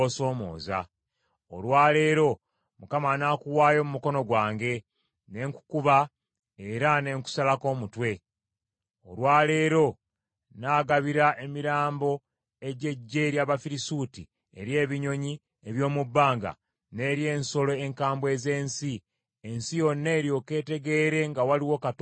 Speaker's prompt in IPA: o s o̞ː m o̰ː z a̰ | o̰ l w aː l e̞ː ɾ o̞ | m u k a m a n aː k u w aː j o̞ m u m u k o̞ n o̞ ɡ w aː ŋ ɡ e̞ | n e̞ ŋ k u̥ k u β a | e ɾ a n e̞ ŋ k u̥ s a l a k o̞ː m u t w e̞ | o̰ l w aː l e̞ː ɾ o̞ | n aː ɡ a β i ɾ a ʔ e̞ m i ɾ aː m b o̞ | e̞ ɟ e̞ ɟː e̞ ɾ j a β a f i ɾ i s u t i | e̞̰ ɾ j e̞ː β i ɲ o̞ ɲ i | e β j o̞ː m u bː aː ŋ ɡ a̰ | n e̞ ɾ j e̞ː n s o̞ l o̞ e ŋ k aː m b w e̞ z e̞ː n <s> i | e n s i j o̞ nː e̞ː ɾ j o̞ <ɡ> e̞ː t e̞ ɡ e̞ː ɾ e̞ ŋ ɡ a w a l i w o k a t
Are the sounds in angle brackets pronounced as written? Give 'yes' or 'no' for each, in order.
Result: yes, no

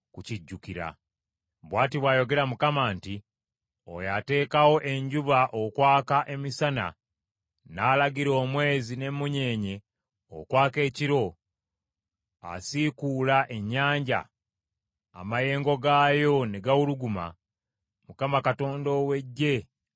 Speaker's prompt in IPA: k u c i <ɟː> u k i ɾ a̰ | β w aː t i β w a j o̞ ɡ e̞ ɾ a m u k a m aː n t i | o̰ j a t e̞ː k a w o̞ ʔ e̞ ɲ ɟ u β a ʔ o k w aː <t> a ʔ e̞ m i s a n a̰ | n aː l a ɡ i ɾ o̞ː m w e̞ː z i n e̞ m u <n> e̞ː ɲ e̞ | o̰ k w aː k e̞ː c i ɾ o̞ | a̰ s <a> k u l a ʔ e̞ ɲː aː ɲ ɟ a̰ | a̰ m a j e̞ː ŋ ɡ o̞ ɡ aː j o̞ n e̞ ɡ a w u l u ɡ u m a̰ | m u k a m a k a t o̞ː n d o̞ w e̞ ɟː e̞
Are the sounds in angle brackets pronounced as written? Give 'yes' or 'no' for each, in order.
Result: yes, no, no, no

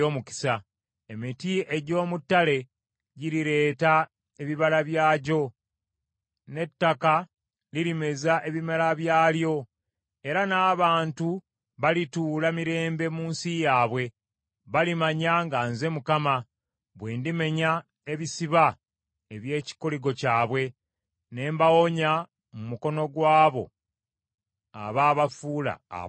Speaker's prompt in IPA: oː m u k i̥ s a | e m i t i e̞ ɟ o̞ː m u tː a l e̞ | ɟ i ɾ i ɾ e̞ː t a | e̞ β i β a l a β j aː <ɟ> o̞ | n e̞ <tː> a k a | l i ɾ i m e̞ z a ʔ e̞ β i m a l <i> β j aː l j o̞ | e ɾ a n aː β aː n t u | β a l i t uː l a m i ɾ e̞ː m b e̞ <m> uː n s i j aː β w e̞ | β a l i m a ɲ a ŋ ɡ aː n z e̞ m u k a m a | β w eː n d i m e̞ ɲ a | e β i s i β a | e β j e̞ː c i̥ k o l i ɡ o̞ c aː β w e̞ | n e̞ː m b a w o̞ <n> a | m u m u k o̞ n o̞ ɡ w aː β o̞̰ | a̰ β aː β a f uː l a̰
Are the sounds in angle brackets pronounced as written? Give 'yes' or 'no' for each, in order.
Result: yes, yes, no, yes, no

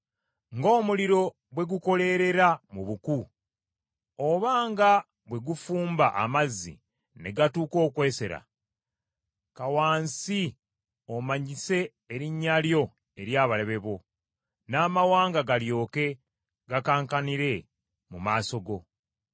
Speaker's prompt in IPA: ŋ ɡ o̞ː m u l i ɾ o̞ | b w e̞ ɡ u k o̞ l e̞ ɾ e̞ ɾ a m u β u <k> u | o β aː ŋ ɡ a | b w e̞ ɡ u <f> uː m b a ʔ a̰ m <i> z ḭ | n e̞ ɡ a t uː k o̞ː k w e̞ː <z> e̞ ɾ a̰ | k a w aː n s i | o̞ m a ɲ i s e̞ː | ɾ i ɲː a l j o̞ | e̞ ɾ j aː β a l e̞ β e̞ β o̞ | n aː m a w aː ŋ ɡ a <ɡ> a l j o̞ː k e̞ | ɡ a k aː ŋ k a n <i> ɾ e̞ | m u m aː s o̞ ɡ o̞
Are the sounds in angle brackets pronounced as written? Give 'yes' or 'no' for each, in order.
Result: yes, yes, no, no, yes, yes

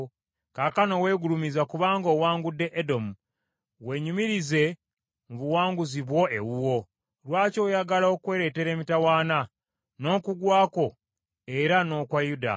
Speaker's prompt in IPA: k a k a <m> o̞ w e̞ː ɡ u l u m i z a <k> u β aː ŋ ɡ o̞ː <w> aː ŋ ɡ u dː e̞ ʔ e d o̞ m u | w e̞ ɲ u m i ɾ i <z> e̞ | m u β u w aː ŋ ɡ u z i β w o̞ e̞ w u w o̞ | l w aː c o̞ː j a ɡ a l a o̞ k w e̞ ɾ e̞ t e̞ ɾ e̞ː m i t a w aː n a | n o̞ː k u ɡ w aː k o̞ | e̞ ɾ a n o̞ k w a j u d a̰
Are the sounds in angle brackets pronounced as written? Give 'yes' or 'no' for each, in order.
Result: no, yes, yes, yes

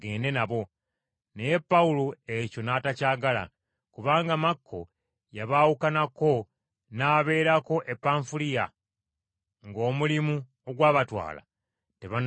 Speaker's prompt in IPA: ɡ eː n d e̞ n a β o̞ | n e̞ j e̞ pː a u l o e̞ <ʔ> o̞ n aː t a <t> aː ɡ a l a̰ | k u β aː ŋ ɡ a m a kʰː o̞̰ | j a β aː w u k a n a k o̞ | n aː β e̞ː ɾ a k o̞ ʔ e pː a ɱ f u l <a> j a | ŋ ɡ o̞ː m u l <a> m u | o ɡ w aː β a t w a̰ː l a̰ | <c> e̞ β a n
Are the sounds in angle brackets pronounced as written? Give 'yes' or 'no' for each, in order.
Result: no, no, no, no, no

